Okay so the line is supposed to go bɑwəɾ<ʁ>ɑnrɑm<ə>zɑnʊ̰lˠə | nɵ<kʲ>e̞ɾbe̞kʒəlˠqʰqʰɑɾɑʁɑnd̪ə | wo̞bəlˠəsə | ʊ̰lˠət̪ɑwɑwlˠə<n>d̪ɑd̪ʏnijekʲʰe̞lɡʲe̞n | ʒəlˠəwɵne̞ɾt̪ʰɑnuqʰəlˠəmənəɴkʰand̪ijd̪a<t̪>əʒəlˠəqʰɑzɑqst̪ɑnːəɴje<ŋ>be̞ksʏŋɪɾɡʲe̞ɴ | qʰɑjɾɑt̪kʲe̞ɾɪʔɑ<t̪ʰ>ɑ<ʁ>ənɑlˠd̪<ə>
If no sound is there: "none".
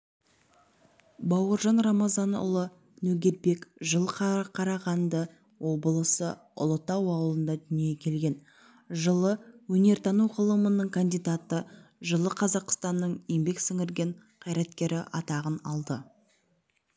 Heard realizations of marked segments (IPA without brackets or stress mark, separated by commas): ʒ, ɑ, ɡʲ, n, t̪, m, t̪, ʁ, ə